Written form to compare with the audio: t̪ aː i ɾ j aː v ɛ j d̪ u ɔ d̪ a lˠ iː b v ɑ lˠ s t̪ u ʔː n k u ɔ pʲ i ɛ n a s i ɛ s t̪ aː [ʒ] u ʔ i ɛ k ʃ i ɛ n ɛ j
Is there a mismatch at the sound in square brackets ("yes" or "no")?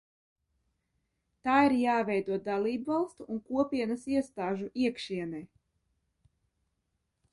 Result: no